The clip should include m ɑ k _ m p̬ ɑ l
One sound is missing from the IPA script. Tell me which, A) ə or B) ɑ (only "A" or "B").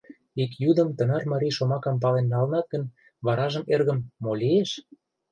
B